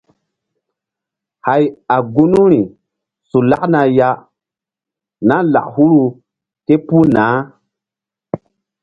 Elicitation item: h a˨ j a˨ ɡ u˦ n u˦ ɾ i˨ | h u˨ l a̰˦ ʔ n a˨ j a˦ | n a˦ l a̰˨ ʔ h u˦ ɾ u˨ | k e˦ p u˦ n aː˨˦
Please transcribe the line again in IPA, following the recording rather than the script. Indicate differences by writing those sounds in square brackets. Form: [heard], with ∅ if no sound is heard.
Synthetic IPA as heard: h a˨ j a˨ ɡ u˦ n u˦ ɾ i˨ | [s] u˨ l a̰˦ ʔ n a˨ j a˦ | n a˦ l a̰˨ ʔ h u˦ ɾ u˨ | k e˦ p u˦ n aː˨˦